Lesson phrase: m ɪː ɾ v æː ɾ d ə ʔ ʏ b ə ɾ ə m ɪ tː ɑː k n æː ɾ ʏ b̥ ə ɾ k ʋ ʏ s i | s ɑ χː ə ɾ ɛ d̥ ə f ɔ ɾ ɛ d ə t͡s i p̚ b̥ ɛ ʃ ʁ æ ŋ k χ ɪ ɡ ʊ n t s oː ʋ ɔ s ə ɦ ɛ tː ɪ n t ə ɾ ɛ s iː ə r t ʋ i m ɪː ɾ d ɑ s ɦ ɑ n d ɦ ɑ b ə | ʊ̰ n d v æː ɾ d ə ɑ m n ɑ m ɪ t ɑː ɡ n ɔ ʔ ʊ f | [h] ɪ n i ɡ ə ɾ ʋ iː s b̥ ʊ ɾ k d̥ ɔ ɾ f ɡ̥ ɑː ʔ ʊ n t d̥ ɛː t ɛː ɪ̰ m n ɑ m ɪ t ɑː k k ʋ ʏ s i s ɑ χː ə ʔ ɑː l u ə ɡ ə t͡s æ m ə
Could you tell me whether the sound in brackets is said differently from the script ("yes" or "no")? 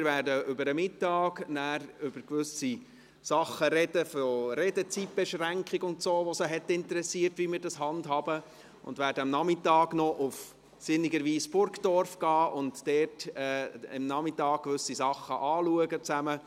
yes